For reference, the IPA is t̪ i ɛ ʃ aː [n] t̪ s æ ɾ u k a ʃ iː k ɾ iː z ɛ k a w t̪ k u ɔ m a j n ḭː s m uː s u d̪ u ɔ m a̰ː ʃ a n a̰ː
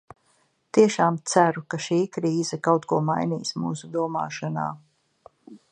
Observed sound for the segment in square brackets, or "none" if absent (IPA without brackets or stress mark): m